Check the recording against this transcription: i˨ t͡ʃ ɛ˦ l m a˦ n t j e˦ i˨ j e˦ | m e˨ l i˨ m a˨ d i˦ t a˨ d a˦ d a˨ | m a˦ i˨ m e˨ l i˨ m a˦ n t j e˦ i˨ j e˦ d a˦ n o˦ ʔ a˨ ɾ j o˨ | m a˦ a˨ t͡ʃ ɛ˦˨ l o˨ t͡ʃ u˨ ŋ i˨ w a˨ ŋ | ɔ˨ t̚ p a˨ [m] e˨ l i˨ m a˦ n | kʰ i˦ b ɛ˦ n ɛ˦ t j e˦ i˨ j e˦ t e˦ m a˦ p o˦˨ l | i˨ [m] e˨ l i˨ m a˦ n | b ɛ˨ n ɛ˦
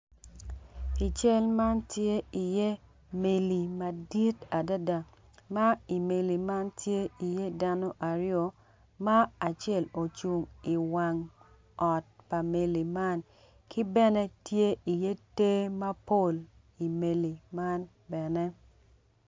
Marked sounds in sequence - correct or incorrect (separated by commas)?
correct, correct